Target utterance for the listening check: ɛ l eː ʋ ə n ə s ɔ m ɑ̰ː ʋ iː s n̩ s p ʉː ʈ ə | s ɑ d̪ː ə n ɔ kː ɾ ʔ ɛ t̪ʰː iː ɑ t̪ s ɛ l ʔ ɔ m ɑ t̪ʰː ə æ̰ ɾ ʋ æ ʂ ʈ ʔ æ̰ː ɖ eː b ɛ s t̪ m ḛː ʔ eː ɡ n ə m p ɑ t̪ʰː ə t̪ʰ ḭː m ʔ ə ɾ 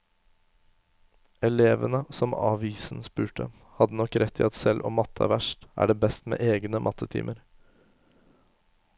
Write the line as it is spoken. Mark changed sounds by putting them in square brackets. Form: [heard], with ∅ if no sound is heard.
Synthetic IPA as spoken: ɛ l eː ʋ ə n ə s ɔ m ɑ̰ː ʋ iː s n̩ s p ʉː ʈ ə | [h] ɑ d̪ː ə n ɔ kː ɾ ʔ ɛ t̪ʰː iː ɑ t̪ s ɛ l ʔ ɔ m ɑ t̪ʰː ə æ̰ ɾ ʋ æ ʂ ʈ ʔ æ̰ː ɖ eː b ɛ s t̪ m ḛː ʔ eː ɡ n ə m [ʔ] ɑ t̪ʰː ə t̪ʰ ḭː m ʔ ə ɾ